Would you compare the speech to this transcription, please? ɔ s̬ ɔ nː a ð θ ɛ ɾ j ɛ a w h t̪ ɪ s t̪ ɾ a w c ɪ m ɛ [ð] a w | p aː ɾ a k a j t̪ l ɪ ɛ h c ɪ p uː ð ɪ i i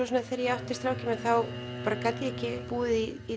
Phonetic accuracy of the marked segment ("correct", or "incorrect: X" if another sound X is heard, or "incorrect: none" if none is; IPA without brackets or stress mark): incorrect: θ